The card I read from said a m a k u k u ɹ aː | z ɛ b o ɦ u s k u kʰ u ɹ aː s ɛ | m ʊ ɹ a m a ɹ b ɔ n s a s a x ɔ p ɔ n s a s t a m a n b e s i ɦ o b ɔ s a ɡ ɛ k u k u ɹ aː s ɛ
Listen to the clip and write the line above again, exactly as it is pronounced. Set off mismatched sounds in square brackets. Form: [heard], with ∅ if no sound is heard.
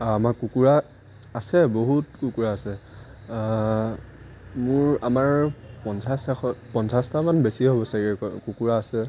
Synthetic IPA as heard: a m a k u k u ɹ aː | [s] ɛ b o ɦ u [t] k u [k] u ɹ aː s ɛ | m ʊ ɹ a m a ɹ [p] ɔ n s a s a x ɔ p ɔ n s a s t a m a n b e s i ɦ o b ɔ s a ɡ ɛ k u k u ɹ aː s ɛ